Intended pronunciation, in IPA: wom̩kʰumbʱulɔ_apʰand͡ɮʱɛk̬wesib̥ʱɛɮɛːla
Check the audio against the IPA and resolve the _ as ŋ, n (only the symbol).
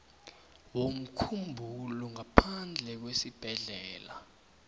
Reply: ŋ